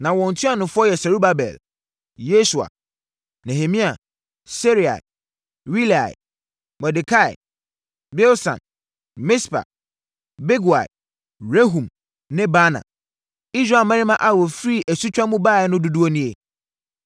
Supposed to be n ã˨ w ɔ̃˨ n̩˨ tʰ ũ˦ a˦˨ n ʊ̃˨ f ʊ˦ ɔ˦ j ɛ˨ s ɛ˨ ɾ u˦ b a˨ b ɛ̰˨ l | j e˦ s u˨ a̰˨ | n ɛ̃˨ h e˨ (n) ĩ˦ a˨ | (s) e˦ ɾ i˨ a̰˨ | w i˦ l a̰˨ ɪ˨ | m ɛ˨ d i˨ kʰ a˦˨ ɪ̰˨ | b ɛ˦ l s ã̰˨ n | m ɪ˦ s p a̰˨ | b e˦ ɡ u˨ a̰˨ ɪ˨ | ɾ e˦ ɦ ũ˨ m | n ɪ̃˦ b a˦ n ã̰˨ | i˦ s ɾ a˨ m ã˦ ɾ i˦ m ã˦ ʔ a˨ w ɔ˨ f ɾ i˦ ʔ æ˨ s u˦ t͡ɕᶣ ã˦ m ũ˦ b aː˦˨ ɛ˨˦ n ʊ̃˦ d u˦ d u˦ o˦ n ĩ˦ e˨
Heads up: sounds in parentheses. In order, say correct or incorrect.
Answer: incorrect: m, correct

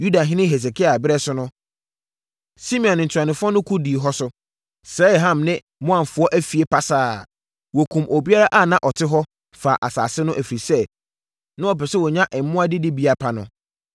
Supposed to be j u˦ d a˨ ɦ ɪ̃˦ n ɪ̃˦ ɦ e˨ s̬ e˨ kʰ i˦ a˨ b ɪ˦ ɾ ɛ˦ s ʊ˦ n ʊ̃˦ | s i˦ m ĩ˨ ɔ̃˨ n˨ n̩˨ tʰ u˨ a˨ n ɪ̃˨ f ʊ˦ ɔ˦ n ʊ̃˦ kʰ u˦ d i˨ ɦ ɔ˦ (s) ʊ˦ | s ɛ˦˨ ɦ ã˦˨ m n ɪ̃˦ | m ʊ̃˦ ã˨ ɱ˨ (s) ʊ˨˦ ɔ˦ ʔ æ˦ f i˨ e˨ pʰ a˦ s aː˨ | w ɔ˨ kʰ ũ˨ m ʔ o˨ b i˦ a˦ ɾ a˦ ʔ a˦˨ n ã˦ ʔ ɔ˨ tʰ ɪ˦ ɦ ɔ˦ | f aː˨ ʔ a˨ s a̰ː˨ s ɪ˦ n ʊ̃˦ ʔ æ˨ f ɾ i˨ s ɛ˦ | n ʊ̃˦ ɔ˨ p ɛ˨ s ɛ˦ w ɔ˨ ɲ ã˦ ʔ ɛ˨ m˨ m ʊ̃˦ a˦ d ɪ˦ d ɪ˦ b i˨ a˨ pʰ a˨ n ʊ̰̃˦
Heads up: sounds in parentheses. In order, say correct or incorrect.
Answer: correct, incorrect: f

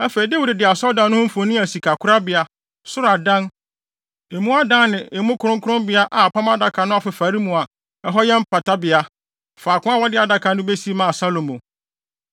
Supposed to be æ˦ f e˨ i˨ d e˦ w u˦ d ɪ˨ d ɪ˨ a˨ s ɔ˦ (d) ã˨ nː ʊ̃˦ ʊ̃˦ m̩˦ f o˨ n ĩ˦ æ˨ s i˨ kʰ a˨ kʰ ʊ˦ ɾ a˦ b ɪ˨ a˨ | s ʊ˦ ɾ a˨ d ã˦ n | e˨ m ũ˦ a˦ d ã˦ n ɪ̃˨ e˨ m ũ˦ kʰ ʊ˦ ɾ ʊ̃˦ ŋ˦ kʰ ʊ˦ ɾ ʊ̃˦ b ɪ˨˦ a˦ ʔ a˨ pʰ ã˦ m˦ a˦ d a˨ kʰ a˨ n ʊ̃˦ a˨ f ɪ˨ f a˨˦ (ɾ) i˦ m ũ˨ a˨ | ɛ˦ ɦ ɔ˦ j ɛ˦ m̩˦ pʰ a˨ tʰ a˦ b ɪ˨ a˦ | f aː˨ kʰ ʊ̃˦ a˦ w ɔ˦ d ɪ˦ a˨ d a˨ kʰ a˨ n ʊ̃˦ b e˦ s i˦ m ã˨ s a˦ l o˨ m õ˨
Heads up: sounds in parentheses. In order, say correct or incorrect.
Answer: correct, correct

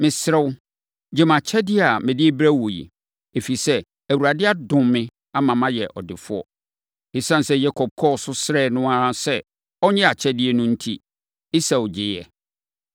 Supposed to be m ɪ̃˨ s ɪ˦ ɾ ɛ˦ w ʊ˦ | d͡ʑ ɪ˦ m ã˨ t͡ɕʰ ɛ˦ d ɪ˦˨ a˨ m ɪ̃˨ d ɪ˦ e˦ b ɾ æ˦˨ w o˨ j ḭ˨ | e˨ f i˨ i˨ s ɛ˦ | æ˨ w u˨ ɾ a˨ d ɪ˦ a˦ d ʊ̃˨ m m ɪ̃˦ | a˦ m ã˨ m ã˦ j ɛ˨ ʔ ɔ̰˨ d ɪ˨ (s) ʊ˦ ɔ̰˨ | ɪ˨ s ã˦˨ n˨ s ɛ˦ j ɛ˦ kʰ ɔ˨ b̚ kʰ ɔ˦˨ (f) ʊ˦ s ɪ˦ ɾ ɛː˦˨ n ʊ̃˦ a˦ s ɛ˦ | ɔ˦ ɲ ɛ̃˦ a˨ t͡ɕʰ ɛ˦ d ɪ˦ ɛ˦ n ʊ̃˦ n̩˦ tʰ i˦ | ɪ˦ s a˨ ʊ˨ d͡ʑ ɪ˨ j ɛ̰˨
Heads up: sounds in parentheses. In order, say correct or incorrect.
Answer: incorrect: f, incorrect: s

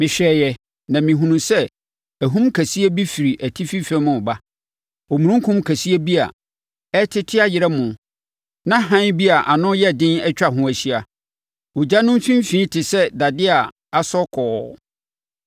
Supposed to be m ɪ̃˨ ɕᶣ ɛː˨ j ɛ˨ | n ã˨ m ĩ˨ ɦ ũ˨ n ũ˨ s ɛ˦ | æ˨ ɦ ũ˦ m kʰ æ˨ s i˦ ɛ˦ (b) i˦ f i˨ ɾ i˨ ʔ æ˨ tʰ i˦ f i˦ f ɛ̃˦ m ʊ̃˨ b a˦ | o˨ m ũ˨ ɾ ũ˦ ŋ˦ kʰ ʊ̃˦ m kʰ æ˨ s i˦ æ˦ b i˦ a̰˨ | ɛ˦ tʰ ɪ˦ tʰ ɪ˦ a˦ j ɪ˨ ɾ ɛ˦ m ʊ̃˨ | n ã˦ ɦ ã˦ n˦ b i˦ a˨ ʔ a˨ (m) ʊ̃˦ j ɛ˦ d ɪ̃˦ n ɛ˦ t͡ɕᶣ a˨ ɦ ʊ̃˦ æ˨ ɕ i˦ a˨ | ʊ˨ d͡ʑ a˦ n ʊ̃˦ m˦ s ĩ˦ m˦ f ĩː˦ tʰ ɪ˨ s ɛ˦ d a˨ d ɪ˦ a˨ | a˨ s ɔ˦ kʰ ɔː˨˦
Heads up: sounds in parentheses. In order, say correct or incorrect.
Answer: correct, incorrect: n

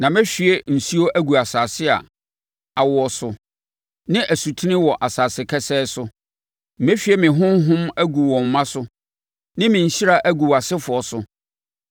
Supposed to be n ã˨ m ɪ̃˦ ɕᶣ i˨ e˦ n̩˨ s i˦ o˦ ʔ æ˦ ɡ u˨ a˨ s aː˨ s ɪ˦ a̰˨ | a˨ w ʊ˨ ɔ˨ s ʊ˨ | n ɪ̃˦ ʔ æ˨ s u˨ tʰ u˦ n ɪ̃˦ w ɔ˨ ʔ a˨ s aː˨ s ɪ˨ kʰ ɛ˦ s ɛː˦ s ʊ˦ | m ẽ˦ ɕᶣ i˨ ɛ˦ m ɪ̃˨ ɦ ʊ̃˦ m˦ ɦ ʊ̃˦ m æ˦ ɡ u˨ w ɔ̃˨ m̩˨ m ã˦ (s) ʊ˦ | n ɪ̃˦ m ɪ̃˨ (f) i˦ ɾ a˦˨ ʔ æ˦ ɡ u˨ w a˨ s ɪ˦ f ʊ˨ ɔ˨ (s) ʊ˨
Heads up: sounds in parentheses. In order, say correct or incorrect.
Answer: correct, incorrect: ɕ, correct

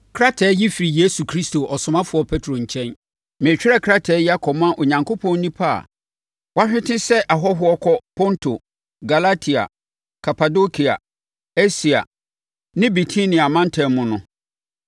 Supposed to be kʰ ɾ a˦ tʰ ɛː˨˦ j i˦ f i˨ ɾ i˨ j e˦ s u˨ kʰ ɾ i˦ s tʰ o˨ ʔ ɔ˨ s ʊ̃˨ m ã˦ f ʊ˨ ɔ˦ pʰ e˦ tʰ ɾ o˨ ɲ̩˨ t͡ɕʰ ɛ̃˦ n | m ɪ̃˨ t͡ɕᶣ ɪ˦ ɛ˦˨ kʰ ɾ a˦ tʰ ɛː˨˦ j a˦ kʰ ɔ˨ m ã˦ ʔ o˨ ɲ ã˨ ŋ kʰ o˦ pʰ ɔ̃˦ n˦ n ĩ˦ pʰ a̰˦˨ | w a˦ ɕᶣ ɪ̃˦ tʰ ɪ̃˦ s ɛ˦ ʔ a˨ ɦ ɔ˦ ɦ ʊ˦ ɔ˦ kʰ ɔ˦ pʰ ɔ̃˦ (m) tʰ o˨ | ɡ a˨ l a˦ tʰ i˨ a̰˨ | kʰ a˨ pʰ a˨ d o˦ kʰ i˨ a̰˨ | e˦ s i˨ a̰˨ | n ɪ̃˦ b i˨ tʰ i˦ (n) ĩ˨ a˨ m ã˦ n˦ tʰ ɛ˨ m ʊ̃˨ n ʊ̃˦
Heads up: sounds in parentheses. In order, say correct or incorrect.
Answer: incorrect: n, correct

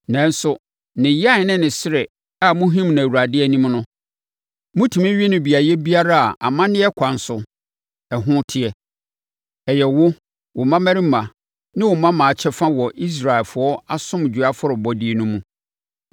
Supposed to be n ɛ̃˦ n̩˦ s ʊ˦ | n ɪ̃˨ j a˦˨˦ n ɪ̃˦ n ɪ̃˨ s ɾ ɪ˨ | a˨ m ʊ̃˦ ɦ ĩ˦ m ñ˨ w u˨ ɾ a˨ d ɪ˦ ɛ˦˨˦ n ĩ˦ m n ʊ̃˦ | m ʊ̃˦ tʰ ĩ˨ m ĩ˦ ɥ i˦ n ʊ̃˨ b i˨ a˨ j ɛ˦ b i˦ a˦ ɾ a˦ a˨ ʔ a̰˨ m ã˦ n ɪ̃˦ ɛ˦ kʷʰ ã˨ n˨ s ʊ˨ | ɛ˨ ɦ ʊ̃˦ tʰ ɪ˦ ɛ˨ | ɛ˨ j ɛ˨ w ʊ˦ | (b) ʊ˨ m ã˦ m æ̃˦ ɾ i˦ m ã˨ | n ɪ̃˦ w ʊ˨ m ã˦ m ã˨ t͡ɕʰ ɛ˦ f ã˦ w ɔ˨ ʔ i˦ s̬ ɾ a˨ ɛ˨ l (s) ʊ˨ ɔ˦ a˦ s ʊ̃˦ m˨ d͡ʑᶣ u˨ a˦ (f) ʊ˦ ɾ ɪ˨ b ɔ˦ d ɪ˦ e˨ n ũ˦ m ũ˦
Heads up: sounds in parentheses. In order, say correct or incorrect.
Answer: incorrect: w, incorrect: f, correct

